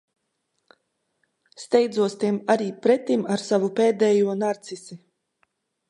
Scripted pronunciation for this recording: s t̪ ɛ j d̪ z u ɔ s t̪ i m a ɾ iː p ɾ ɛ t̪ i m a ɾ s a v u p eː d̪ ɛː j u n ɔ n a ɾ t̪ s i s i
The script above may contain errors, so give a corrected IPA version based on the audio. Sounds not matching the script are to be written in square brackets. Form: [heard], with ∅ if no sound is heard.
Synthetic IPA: s t̪ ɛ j d̪ z u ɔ s t̪ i m a ɾ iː p ɾ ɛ t̪ i m a ɾ s a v u p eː d̪ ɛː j u [∅] ɔ n a ɾ t̪ s i s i